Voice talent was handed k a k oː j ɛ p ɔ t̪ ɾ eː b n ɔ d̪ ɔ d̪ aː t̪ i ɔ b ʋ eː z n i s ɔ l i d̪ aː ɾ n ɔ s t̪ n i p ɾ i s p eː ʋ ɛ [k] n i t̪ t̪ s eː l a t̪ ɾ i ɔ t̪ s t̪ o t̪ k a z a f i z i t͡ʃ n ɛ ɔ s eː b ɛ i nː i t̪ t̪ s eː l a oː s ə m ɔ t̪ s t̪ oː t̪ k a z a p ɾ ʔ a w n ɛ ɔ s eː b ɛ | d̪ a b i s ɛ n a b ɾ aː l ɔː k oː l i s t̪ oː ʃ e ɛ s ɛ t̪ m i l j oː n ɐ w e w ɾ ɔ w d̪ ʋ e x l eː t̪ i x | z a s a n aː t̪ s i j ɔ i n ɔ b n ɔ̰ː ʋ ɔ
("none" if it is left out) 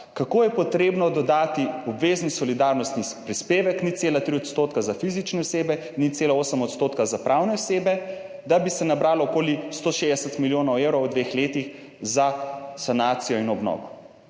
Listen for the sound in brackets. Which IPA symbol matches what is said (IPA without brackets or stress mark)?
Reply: k